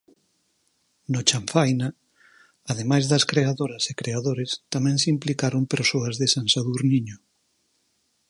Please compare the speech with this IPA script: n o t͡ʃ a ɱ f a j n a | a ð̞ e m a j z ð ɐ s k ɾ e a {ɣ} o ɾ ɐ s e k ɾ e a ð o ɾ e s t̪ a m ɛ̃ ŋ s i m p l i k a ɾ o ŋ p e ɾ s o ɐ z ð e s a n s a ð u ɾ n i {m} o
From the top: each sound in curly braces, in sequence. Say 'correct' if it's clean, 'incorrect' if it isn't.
incorrect: ð, incorrect: ɲ

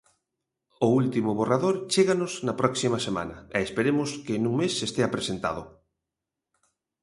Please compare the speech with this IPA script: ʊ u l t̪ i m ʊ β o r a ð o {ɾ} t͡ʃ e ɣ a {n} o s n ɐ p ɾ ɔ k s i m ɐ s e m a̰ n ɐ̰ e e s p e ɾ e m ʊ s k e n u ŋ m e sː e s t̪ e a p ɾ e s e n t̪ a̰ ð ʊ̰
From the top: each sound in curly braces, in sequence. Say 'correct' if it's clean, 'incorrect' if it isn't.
correct, correct

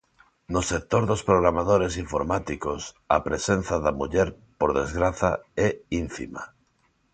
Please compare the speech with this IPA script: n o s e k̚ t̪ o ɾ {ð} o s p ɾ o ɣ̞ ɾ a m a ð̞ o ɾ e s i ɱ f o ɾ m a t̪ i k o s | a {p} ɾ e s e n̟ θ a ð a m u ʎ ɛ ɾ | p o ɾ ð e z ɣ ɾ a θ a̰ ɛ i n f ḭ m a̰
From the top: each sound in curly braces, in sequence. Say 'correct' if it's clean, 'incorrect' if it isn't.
correct, correct

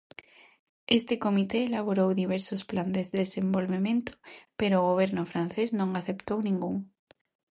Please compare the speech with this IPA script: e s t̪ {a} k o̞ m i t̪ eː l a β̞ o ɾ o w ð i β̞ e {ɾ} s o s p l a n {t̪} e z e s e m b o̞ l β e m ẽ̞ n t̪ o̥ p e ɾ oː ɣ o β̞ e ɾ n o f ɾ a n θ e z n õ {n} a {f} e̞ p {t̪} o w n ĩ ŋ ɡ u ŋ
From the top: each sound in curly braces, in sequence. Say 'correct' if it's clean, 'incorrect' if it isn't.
incorrect: e, correct, incorrect: d̪, incorrect: ŋ, incorrect: θ, correct

